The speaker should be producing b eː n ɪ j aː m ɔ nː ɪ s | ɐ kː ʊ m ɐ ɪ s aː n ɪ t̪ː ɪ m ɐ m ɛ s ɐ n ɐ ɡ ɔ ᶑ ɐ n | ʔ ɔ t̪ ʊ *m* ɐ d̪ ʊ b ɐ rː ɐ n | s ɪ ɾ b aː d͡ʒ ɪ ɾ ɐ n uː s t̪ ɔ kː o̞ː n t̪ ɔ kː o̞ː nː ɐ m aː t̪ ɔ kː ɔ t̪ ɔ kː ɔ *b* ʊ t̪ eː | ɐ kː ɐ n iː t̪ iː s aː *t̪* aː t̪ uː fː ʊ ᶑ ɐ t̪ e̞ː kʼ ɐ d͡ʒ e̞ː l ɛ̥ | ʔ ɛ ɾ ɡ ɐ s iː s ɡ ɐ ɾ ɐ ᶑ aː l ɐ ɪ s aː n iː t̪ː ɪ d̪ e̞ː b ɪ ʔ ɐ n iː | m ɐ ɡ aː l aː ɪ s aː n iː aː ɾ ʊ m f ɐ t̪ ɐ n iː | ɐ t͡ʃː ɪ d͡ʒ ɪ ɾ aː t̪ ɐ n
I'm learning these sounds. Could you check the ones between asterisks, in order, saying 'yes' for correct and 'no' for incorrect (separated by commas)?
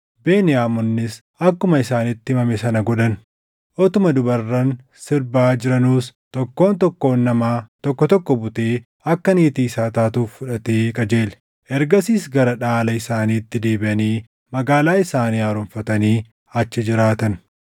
yes, yes, yes